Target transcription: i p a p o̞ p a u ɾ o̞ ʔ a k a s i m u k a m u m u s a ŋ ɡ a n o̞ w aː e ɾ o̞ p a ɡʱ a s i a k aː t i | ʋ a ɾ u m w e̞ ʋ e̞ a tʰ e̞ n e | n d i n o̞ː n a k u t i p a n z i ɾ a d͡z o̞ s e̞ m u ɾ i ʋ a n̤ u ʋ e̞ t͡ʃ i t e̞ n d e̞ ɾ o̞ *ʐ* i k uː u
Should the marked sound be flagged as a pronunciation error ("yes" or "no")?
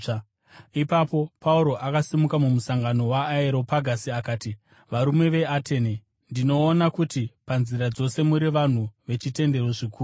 no